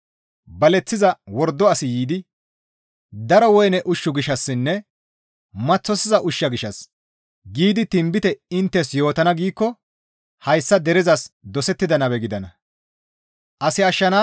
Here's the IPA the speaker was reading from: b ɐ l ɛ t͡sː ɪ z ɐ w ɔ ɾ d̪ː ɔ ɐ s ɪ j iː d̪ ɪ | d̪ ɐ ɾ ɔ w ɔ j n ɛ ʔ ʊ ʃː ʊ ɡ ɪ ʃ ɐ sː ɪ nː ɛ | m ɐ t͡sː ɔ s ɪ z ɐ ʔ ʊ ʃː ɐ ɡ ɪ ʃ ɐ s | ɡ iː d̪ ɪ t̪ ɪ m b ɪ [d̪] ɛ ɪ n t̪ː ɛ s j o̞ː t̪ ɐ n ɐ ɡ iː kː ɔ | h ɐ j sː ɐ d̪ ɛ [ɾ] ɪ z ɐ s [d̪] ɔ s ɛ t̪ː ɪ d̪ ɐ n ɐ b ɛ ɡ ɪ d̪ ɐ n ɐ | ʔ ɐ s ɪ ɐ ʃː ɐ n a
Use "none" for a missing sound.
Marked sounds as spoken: t̪, ɾ, d̪

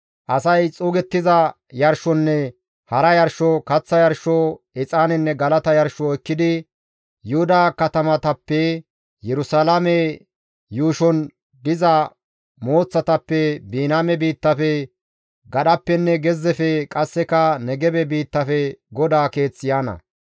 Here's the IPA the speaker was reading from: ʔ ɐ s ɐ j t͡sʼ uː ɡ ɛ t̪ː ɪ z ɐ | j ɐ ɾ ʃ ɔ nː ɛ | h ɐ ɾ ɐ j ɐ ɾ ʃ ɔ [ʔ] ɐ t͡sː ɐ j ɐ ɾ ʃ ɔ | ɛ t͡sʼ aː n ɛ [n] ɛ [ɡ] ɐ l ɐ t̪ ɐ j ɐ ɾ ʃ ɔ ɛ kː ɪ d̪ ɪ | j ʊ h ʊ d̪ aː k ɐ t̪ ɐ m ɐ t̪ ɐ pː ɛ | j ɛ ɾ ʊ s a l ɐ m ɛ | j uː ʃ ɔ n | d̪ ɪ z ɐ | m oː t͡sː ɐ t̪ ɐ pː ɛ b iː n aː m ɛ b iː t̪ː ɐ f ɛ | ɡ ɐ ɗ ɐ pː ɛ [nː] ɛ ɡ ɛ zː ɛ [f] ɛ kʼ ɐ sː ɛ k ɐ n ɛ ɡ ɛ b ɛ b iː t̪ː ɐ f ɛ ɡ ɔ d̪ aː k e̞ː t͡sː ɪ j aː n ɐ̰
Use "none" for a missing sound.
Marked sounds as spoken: k, nː, ɡ, nː, f

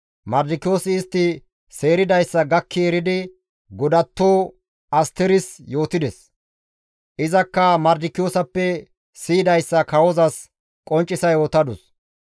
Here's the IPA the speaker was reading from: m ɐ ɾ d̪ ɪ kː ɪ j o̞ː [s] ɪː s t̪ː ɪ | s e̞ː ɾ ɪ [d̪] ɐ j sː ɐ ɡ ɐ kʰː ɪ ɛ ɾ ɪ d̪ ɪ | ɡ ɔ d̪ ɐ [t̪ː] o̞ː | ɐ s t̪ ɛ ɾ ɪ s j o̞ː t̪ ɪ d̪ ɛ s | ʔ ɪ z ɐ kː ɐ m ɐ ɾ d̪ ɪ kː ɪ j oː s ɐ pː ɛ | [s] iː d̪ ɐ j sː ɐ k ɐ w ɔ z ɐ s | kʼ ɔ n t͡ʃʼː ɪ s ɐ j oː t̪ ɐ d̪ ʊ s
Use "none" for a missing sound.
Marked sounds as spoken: s, d̪, t̪ː, s

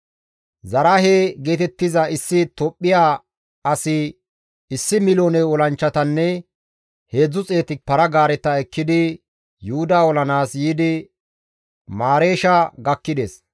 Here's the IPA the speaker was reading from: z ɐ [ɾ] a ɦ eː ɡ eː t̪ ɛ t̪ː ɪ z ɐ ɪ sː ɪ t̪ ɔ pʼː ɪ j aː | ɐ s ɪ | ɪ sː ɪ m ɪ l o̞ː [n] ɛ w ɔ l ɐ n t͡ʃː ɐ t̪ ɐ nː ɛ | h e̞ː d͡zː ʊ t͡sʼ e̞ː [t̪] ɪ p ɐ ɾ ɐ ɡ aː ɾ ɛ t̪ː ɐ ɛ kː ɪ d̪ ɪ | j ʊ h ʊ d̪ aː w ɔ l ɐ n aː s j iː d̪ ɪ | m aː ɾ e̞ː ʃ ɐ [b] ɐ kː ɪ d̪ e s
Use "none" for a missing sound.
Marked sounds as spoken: ɾ, n, t̪, ɡ

